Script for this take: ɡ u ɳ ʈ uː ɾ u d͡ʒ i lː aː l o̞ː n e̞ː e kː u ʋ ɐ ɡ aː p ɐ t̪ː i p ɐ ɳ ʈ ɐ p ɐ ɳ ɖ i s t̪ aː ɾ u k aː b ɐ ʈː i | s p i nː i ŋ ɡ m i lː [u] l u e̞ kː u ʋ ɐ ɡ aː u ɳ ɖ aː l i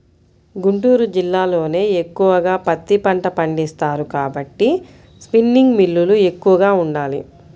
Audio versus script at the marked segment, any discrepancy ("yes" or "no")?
no